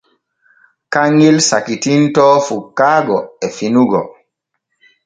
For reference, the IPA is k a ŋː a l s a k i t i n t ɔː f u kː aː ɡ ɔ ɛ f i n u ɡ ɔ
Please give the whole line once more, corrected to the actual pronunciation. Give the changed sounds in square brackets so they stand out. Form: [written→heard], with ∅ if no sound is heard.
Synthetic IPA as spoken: k a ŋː [a→i] l s a k i t i n t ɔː f u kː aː ɡ ɔ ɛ f i n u ɡ ɔ